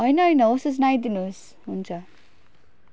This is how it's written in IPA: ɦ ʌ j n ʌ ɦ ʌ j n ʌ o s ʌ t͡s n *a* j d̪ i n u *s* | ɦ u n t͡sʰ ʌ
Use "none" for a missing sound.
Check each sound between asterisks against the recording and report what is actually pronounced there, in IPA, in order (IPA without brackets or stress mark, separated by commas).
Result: a, s